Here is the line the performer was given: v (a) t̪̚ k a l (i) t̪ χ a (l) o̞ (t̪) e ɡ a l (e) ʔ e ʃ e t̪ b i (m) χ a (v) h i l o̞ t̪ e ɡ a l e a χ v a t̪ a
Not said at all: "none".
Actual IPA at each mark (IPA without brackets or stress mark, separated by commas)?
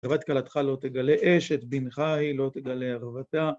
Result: a, a, l, t̪, e, n, none